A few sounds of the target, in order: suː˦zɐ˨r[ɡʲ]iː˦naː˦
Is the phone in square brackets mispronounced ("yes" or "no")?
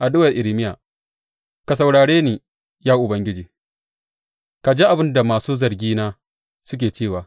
no